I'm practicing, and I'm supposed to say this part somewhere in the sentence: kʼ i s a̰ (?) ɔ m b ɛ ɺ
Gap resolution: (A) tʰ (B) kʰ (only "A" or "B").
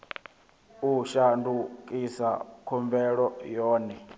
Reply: B